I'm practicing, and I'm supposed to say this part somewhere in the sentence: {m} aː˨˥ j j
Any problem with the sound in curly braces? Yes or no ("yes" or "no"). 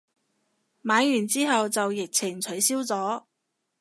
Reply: no